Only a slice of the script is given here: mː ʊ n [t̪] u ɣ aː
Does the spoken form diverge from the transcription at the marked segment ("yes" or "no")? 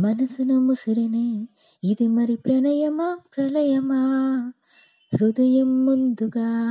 yes